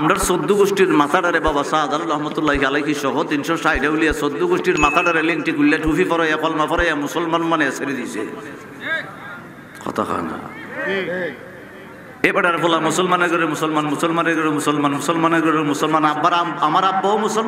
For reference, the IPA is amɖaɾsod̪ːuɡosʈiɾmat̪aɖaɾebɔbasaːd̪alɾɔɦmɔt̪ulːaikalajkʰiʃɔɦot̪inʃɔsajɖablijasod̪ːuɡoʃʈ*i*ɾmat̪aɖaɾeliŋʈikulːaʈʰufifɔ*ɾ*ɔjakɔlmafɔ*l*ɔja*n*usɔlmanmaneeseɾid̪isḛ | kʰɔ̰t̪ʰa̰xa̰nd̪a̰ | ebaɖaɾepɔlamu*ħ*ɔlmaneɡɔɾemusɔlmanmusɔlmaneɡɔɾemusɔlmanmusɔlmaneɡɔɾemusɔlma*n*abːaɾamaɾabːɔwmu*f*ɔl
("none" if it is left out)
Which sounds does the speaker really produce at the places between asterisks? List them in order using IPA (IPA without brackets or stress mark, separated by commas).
i, ɾ, ɾ, m, s, n, s